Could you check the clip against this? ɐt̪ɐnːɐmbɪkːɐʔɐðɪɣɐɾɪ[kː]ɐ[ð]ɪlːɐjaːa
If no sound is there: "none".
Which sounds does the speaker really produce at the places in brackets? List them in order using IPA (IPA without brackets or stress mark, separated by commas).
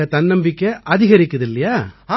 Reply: kː, ð